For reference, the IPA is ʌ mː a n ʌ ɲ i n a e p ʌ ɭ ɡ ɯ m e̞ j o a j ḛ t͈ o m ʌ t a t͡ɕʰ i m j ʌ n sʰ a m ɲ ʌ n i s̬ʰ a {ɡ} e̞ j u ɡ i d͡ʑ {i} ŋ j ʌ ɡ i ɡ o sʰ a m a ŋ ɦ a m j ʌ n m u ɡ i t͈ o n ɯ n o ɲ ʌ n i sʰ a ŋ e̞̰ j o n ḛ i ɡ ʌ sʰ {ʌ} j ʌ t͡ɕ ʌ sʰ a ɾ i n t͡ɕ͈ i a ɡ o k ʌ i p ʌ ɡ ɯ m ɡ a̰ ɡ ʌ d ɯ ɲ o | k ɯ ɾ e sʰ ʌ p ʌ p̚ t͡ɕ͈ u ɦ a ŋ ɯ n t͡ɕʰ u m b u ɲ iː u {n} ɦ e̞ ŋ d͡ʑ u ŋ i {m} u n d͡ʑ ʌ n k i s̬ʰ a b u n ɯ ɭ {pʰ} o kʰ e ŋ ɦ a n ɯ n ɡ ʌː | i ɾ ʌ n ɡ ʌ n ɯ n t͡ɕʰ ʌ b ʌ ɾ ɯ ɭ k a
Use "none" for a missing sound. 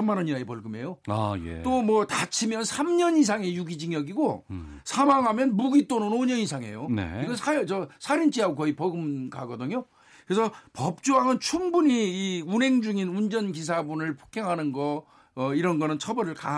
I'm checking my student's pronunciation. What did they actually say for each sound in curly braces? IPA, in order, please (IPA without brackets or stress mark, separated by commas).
ŋ, i, a, n, n, pʰ